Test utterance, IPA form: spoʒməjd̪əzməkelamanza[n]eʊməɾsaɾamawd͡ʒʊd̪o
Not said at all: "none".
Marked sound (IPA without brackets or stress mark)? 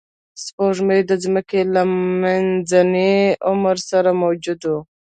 n